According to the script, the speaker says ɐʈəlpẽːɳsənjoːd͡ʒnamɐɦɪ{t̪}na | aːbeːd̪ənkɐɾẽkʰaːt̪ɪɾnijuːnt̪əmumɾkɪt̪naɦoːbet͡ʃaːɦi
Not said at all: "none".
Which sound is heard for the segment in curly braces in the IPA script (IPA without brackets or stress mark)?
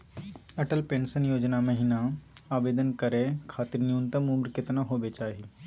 none